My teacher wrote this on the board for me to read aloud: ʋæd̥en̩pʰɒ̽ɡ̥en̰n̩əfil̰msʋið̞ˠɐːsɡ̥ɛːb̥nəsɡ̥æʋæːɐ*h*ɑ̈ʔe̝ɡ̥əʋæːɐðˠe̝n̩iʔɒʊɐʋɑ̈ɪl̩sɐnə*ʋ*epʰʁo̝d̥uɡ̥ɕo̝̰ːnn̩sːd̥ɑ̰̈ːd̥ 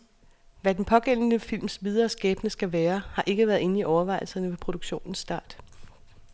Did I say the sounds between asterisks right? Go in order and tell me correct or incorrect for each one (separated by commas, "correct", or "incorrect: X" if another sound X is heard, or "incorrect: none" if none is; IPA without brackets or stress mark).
correct, correct